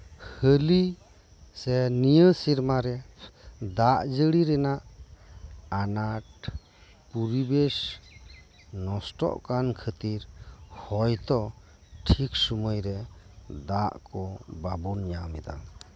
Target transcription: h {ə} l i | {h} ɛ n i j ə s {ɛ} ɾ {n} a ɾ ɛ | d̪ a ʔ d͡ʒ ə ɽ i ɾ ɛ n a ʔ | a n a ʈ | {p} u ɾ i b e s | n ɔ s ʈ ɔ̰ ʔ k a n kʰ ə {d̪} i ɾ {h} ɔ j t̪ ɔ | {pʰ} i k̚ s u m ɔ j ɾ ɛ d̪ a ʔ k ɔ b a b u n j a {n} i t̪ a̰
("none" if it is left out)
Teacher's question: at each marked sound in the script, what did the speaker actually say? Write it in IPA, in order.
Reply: ə, s, i, m, p, t̪, h, ʈʰ, m

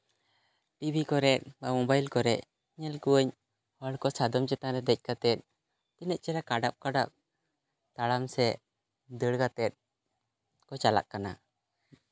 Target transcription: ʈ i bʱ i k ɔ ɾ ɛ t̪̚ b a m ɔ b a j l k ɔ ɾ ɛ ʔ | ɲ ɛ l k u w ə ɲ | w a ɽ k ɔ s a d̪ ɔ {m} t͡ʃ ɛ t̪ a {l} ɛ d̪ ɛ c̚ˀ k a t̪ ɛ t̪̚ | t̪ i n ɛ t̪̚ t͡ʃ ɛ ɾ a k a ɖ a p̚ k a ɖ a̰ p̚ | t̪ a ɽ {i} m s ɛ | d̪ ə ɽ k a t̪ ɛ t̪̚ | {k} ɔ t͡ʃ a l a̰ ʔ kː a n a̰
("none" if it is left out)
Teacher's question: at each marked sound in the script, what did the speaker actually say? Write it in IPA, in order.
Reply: m, ɾ, a, k

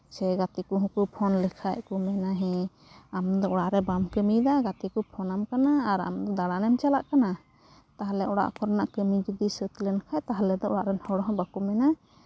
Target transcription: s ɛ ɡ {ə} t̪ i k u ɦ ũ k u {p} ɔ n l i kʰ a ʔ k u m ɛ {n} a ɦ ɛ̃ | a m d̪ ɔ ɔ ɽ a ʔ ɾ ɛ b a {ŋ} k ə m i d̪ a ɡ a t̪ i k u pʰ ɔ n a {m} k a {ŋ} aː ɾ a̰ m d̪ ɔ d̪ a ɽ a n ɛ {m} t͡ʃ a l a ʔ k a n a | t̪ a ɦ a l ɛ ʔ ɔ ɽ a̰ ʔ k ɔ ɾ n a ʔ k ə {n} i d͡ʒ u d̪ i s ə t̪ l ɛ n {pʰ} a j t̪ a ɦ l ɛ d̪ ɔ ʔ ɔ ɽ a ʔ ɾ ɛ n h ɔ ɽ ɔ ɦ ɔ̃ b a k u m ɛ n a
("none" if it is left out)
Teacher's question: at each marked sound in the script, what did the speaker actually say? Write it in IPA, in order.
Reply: a, pʰ, n, m, m, n, m, m, kʰ

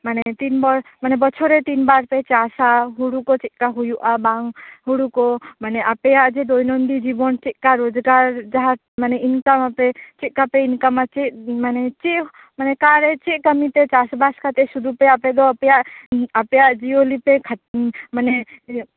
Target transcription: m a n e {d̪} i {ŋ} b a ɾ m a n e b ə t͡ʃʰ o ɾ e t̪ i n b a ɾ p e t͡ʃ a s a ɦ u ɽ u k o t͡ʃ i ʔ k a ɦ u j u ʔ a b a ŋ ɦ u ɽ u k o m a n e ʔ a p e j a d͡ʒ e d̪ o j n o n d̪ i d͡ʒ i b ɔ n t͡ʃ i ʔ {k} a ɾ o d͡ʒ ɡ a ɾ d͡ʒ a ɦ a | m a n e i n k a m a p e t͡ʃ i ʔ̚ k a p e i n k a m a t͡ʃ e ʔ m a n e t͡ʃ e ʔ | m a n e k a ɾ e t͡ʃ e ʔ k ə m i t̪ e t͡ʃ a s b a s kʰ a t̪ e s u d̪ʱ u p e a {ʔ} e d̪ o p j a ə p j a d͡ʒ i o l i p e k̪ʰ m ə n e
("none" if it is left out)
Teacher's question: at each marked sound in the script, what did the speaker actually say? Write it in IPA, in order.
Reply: t̪, n, k, p

